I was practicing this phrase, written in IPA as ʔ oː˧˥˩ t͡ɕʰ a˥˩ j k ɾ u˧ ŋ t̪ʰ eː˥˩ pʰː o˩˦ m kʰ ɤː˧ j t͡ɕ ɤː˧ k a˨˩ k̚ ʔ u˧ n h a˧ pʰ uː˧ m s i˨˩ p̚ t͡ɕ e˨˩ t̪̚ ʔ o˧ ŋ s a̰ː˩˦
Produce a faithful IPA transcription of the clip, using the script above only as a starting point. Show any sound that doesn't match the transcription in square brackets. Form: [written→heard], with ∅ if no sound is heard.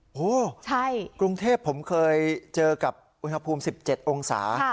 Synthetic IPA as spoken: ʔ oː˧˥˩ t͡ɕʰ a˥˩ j k ɾ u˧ ŋ t̪ʰ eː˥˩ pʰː o˩˦ m kʰ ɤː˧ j t͡ɕ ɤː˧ k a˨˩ [k̚→p̚] ʔ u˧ n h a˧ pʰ uː˧ m s i˨˩ p̚ t͡ɕ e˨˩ t̪̚ ʔ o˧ ŋ s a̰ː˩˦